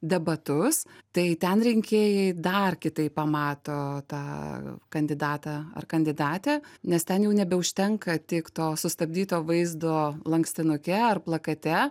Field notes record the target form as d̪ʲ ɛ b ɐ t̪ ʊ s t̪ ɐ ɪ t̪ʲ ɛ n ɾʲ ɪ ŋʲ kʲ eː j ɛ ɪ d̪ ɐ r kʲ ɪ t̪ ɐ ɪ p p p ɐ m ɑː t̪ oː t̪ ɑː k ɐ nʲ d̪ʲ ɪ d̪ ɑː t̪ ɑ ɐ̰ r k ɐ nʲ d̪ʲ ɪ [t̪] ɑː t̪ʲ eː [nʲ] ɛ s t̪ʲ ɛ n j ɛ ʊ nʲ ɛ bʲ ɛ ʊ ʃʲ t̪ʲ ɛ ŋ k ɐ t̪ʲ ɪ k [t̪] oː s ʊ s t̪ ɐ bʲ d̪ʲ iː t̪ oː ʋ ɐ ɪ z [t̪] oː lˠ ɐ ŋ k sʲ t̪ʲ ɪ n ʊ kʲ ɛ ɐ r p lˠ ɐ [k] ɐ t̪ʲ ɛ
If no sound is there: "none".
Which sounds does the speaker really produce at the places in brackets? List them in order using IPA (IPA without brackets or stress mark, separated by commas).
d̪, nʲ, t̪, d̪, k